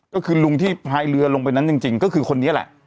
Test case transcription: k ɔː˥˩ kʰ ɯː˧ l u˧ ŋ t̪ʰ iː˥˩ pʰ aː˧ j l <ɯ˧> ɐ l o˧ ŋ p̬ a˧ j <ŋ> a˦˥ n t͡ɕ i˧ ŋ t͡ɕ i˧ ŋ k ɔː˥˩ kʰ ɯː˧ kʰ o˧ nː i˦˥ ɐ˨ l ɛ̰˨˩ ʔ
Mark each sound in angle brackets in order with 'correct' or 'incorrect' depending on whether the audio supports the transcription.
correct, incorrect: n

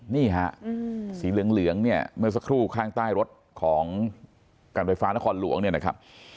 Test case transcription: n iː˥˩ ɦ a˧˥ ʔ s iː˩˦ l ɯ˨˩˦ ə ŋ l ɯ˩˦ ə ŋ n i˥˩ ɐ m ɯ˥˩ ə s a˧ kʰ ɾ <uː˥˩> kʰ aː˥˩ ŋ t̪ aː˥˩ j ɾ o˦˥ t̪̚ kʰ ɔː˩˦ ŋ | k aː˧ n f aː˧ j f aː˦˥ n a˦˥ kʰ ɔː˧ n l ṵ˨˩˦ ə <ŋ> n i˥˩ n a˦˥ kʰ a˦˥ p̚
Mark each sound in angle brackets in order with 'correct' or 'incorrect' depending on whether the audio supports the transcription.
correct, correct

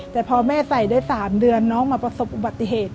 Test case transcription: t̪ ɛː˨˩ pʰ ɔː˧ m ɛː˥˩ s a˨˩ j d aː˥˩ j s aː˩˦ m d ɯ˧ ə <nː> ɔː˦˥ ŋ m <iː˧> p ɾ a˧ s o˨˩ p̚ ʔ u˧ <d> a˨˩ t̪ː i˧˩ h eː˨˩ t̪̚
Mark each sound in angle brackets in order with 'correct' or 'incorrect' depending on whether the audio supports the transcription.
correct, incorrect: aː˧, incorrect: b

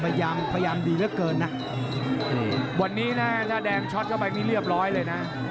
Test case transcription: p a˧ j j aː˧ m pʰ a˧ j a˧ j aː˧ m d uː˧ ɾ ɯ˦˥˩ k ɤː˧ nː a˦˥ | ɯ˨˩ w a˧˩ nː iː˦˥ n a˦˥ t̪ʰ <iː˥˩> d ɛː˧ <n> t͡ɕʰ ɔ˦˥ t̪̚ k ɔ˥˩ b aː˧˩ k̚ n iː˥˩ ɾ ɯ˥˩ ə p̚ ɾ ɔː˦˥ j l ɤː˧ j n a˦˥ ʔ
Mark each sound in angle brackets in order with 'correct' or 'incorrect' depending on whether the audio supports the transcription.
incorrect: aː˥˩, incorrect: ŋ

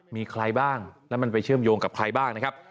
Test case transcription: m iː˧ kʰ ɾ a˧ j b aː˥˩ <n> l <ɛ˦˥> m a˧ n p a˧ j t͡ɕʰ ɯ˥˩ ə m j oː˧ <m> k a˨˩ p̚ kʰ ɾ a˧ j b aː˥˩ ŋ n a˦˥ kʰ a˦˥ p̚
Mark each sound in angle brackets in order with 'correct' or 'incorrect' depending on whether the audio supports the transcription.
incorrect: ŋ, correct, incorrect: ŋ

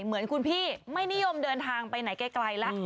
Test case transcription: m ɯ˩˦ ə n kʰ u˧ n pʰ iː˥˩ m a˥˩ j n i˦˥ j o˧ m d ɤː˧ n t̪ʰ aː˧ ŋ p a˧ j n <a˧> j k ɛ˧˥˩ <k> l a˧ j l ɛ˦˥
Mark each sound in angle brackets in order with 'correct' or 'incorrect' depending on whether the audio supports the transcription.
incorrect: a˩˦, correct

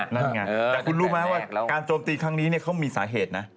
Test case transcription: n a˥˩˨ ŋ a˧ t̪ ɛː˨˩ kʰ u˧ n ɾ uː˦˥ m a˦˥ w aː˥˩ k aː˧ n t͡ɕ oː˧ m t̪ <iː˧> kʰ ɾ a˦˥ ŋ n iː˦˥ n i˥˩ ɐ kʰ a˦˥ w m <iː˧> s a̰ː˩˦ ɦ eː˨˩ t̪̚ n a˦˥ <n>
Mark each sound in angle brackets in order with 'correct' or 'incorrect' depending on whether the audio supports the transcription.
correct, correct, incorrect: none

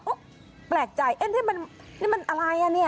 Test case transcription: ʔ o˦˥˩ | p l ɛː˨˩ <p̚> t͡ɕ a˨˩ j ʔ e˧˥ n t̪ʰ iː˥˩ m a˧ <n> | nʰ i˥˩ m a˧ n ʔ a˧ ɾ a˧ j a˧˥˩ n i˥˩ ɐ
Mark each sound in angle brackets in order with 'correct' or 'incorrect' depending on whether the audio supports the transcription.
incorrect: k̚, correct

